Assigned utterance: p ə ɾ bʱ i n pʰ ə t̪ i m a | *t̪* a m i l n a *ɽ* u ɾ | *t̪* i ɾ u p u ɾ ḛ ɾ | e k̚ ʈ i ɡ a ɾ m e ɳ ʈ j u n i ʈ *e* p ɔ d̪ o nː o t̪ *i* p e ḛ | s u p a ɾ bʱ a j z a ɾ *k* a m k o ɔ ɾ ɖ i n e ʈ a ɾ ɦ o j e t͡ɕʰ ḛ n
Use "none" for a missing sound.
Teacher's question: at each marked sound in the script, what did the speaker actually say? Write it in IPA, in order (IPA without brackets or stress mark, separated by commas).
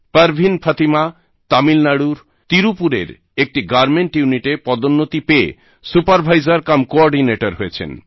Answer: t̪, ɽ, t̪, e, i, k